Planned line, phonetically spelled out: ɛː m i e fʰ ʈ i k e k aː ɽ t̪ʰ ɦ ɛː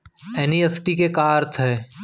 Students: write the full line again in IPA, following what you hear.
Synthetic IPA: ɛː n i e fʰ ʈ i k e k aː ɾ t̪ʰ ɦ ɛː

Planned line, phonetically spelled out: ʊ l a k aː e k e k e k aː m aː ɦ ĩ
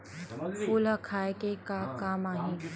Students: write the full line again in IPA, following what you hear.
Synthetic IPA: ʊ l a kʰ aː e k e k a k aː m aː ɦ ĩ

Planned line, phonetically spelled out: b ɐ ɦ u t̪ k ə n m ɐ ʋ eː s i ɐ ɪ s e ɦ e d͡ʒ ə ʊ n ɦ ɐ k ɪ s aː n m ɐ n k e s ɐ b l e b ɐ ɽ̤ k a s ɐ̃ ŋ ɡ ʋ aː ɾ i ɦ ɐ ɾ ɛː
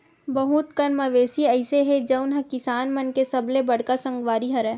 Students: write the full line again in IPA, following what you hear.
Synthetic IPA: b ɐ ɦ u t̪ k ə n m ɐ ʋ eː s i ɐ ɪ s e ɦ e d͡ʒ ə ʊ n ɦ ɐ k ɪ s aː n m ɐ n k e s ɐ b l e b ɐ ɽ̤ k a s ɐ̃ ŋ ɡ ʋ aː ɾ i ɦ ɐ ɾ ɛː

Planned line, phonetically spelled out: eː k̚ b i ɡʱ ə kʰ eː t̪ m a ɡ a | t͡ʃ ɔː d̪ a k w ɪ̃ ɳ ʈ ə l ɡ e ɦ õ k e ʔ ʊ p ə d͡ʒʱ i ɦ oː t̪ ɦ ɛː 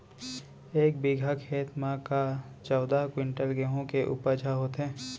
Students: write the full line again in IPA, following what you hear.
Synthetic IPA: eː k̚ b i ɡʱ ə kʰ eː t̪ m a k a | t͡ʃ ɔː d̪ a k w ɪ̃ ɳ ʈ ə l ɡ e ɦ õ k e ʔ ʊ p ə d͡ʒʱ a ɦ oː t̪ ɦ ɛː

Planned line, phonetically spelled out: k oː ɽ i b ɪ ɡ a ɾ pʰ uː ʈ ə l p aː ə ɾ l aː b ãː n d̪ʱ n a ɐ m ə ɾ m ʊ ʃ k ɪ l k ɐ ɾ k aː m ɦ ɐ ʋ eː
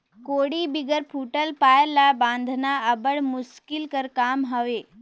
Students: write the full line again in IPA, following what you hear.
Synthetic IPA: k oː ɽ i b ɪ ɡ ə ɾ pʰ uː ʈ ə l p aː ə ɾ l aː b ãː n d̪ʱ n a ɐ b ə ɽ m ʊ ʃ k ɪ l k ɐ ɾ k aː m ɦ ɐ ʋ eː

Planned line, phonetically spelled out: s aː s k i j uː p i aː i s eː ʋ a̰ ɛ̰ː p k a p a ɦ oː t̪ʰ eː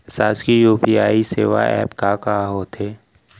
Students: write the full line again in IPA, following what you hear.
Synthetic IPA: s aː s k i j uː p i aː i s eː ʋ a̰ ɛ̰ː p k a k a ɦ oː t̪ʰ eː

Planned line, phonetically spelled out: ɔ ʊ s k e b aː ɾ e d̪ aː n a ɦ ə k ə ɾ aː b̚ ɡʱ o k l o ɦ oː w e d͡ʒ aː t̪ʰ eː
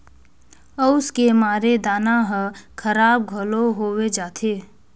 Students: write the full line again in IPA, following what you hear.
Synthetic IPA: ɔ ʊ s k e m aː ɾ e d̪ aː n a ɦ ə kʰ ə ɾ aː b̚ ɡʱ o l o ɦ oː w e d͡ʒ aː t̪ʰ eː

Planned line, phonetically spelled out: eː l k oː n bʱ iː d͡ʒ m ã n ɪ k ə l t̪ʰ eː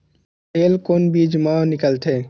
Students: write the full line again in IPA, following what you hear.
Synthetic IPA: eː l k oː n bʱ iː d͡ʒ m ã n ɪ k ə l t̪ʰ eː

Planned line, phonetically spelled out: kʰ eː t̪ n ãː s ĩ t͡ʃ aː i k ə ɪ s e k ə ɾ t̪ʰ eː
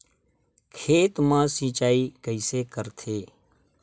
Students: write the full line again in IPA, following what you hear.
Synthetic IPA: kʰ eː t̪ m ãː s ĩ t͡ʃ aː i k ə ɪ s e k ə ɾ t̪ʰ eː

